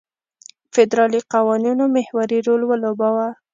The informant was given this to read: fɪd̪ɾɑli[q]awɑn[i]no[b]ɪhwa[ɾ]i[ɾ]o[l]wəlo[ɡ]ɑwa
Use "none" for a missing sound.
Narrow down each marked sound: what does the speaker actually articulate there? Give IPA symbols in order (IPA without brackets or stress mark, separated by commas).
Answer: q, i, m, ɾ, ɾ, l, b